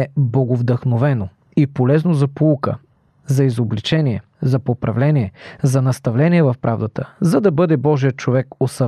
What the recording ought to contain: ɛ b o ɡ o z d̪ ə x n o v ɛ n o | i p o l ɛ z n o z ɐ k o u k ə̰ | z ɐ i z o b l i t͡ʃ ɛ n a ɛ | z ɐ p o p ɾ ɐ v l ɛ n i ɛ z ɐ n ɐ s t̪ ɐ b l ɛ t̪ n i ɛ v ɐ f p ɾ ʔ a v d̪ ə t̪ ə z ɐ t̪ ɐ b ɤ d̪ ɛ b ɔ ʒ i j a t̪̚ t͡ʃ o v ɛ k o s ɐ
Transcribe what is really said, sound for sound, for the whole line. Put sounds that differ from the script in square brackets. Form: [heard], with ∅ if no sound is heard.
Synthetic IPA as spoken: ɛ b o ɡ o [v] d̪ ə x n o v ɛ n o | i p o l ɛ z n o z ɐ [p] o u k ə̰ | z ɐ i z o b l i t͡ʃ ɛ n [i] ɛ | z ɐ p o p ɾ ɐ v l ɛ n i ɛ z ɐ n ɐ s t̪ ɐ [v] l ɛ [∅] n i ɛ v ɐ f p ɾ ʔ a v d̪ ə t̪ ə z ɐ [d̪] ɐ b ɤ d̪ ɛ b ɔ ʒ i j [ə] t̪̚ t͡ʃ o v ɛ k o s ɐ